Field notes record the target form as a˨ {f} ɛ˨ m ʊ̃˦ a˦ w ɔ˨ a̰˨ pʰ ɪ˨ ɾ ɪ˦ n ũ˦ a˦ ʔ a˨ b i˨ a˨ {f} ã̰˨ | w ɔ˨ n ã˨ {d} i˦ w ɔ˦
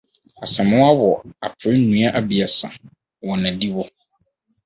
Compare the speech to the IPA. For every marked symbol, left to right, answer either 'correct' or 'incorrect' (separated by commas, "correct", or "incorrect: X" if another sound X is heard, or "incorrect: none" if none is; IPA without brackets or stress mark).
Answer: incorrect: s, incorrect: s, correct